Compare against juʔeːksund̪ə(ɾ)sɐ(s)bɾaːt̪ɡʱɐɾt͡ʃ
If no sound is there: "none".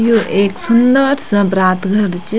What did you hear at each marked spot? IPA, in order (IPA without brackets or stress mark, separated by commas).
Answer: ɾ, none